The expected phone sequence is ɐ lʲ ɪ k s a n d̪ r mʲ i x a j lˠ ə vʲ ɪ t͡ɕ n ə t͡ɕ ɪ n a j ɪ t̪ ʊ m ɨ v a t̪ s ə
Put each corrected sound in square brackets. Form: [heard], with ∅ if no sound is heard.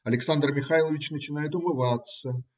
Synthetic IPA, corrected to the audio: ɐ lʲ ɪ k s a n d̪ r mʲ [ɪ] x a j lˠ ə vʲ ɪ t͡ɕ n ə t͡ɕ ɪ n a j ɪ t̪ ʊ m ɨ v a t̪ s ə